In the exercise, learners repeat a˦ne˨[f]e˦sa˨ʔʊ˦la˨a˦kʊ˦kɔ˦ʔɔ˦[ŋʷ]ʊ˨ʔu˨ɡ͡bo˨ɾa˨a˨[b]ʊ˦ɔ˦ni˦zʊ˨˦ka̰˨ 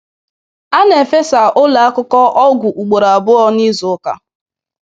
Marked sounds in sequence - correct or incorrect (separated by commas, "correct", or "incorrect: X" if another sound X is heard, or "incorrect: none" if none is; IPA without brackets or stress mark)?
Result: correct, incorrect: ɡʷ, correct